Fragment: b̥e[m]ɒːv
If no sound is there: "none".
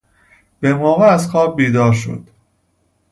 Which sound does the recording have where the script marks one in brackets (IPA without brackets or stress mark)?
m